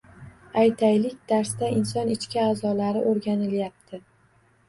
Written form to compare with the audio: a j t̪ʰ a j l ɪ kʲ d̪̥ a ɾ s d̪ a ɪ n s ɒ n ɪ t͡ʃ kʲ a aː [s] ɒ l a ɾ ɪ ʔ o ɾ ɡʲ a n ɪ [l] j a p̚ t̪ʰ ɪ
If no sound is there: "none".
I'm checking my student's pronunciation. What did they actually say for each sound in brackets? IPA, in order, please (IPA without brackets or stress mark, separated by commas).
z, l